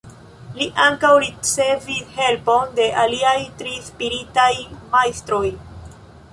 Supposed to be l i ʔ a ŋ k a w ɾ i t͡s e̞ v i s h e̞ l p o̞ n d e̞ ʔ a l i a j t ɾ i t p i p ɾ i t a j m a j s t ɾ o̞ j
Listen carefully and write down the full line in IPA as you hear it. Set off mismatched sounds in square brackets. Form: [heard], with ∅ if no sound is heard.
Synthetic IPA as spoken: l i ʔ a ŋ k a w ɾ i t͡s e̞ v i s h e̞ l p o̞ n d e̞ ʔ a l i a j t ɾ i [s] p i [∅] ɾ i t a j m a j s t ɾ o̞ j